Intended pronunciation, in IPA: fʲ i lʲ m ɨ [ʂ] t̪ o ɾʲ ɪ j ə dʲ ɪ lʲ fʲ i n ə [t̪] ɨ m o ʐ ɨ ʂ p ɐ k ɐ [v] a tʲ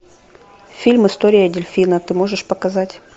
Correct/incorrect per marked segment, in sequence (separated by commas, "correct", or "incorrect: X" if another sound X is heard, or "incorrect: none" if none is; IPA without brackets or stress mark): incorrect: s, correct, incorrect: z